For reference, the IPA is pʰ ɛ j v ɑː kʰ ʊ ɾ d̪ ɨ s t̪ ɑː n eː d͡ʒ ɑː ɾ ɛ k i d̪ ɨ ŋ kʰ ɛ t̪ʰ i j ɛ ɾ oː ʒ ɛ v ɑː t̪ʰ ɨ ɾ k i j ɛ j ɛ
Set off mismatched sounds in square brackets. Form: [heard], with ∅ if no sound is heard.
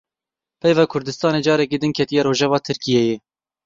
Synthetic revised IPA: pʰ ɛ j v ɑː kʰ ʊ ɾ d̪ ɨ s t̪ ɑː n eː d͡ʒ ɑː ɾ ɛ k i d̪ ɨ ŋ kʰ ɛ [t̪] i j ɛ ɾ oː ʒ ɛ v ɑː t̪ʰ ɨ ɾ k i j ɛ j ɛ